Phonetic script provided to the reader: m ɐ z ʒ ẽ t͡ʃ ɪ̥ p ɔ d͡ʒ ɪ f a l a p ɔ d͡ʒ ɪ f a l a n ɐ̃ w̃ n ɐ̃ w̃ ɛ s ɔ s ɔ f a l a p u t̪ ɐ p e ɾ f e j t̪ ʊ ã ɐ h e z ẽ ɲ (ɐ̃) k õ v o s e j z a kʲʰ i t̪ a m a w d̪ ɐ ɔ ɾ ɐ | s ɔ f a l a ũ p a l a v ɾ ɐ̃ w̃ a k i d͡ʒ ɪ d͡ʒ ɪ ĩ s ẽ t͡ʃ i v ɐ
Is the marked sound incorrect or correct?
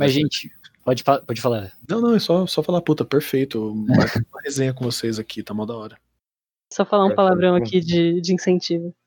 incorrect